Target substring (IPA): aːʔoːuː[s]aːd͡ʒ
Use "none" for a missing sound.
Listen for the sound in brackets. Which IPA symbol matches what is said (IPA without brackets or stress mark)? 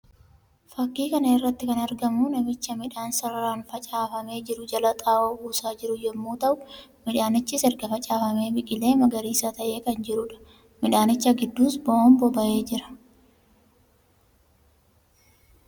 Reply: s